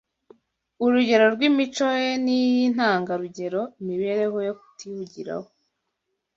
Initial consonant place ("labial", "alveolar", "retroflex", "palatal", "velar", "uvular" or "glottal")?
alveolar